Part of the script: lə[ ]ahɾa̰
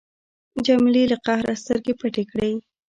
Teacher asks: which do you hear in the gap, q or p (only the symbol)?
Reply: q